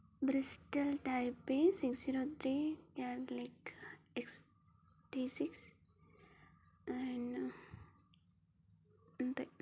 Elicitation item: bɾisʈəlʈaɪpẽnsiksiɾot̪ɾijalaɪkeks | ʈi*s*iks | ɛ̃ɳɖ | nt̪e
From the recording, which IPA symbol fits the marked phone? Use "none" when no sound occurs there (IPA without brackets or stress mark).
s